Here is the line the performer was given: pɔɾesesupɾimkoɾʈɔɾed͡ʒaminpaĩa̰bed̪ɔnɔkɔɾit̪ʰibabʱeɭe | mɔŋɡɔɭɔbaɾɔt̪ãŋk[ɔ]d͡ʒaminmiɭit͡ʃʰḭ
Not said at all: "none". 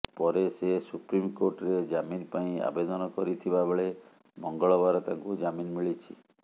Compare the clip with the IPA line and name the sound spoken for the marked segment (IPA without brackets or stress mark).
u